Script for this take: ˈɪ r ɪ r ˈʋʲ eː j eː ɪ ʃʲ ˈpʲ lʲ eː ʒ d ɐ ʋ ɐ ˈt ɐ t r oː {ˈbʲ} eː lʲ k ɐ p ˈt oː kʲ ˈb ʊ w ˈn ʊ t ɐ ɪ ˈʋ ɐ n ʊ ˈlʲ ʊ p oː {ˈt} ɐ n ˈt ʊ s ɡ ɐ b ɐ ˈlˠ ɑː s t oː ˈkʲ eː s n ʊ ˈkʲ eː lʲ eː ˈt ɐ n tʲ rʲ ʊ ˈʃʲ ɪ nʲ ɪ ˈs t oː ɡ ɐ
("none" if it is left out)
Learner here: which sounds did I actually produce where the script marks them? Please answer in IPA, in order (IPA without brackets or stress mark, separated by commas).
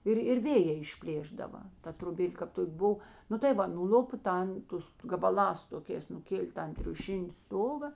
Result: bʲ, t